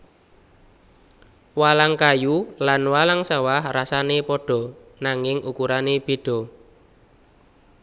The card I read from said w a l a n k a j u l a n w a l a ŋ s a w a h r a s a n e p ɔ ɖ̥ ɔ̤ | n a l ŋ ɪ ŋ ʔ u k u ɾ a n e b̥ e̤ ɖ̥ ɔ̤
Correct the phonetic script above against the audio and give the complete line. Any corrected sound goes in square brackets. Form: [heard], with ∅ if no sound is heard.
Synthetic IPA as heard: w a l a [ŋ] k a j u l a n w a l a ŋ s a w a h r a s a n e p ɔ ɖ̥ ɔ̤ | n a [∅] ŋ ɪ ŋ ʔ u k u ɾ a n e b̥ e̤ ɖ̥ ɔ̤